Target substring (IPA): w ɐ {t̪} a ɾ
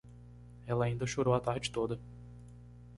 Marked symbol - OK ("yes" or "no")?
yes